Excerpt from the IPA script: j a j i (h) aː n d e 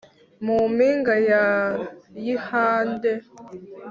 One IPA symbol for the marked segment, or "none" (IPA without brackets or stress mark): h